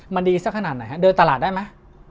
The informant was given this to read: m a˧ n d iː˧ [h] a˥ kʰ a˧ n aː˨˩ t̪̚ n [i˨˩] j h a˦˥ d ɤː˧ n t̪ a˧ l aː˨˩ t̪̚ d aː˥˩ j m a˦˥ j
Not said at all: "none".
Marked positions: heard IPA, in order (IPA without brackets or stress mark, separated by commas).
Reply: s, a˨˩